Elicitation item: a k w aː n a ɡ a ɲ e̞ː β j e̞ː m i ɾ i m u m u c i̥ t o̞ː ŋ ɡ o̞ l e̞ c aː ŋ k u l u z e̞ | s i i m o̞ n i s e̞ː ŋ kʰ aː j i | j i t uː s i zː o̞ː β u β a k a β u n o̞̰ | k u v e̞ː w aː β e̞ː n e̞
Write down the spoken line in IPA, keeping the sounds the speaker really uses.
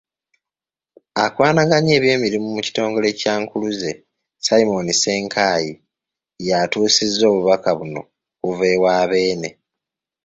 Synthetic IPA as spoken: a k w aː n a ɡ a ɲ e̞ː β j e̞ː m i ɾ i m u m u c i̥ t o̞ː ŋ ɡ o̞ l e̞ c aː ŋ k u l u z e̞ | s a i m o̞ n i s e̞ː ŋ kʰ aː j i | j a t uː s i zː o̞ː β u β a k a β u n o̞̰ | k u v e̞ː w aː β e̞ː n e̞